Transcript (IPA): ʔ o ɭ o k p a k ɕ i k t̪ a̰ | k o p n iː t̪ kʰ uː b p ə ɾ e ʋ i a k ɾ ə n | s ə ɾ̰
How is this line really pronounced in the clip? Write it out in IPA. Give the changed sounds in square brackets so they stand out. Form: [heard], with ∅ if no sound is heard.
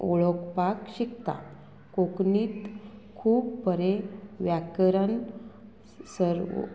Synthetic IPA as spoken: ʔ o ɭ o k p a k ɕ i k t̪ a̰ | k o [k] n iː t̪ kʰ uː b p ə ɾ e ʋ [j] a k ɾ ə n | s ə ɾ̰